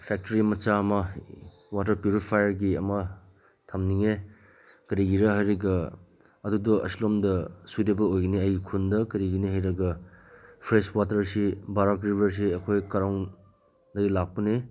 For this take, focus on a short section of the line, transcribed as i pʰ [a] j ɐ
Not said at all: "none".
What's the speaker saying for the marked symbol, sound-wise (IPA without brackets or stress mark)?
a